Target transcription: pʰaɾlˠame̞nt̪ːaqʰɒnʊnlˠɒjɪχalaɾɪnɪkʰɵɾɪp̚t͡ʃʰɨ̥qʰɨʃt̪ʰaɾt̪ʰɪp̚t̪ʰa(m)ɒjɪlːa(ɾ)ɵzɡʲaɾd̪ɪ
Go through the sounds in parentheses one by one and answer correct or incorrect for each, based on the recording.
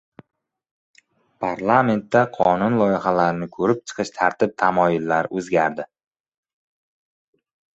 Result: correct, correct

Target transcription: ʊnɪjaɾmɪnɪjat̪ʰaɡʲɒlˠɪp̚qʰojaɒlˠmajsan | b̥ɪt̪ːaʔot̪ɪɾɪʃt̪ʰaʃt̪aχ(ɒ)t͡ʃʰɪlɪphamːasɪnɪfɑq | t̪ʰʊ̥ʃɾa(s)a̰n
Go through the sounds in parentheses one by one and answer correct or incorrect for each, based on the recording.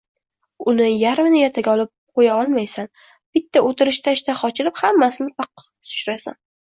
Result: correct, correct

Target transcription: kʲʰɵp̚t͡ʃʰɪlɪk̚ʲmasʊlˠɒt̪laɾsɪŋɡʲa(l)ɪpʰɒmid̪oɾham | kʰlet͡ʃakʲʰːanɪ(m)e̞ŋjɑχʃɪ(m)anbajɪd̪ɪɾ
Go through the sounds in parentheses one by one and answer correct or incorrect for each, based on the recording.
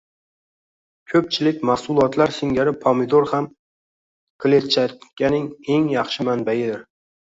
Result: incorrect: ɾ, incorrect: ŋ, correct

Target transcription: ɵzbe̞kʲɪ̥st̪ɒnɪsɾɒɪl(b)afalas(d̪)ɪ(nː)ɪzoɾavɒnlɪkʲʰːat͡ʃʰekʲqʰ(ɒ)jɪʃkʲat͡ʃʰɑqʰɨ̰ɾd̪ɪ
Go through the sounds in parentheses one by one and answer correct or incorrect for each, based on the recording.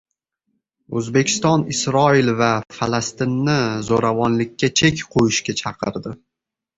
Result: incorrect: v, incorrect: t̪, correct, incorrect: o

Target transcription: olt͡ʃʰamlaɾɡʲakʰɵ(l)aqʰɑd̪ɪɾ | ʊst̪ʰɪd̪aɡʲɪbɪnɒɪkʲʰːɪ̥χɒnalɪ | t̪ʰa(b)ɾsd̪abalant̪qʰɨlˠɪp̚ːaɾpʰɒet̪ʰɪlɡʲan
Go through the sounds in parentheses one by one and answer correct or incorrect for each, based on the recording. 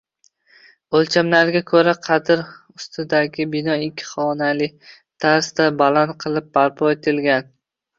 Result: incorrect: ɾ, incorrect: none

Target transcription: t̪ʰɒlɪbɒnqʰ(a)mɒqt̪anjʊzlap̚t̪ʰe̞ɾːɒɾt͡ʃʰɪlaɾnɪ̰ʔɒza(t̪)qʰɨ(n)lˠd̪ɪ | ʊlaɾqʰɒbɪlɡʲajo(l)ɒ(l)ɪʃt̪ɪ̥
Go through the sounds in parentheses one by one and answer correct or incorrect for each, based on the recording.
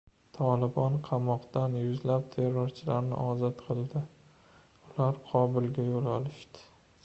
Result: incorrect: ɑ, correct, incorrect: none, correct, correct

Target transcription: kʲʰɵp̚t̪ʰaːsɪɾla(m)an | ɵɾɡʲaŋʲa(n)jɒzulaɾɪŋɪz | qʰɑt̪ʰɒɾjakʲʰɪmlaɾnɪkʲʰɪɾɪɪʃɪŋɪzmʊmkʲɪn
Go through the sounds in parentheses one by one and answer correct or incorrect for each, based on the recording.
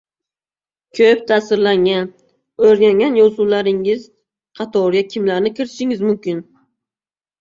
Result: incorrect: ŋ, correct

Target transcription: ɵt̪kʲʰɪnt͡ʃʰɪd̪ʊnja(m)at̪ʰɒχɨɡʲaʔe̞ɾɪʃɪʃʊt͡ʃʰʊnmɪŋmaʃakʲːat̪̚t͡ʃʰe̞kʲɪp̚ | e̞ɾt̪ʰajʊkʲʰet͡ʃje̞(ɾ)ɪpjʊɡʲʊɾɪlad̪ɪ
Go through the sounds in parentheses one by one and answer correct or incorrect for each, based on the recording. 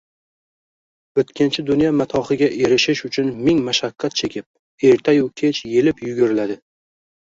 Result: correct, incorrect: l

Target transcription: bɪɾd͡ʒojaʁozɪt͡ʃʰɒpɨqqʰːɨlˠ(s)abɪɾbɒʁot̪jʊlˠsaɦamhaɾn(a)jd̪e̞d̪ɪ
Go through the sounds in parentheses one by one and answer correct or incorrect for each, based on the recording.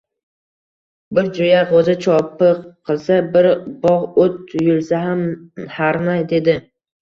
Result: correct, correct

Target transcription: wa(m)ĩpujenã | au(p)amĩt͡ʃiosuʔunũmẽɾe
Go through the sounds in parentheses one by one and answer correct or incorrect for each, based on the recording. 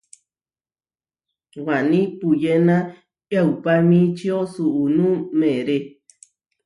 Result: incorrect: n, correct

